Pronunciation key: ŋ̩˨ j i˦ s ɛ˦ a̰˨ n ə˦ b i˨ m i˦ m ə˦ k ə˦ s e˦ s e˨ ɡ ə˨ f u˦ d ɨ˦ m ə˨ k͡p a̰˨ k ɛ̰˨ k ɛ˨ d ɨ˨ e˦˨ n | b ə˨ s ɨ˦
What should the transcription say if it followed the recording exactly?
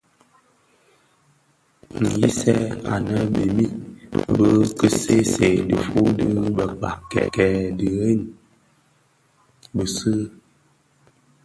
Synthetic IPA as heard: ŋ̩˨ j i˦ s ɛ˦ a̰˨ n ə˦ b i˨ m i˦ b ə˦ k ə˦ s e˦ s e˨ d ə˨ f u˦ d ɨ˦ b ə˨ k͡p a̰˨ k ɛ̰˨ k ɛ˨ d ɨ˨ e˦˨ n | b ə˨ s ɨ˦